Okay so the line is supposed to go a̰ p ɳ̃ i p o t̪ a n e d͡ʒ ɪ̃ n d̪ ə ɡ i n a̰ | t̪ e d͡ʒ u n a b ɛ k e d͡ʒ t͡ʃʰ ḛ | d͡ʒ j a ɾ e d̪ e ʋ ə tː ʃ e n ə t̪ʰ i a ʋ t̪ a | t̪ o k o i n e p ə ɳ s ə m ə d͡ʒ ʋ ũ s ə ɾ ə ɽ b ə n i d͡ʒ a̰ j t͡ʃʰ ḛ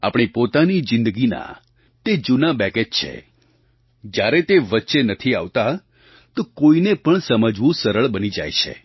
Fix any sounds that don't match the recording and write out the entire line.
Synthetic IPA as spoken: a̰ p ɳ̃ i p o t̪ a n i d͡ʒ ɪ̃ n d̪ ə ɡ i n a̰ | t̪ e d͡ʒ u n a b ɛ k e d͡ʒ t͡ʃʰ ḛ | d͡ʒ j a ɾ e t̪ e ʋ ə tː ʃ e n ə t̪ʰ i a ʋ t̪ a | t̪ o k o i n e p ə ɳ s ə m ə d͡ʒ ʋ ũ s ə ɾ ə ɭ b ə n i d͡ʒ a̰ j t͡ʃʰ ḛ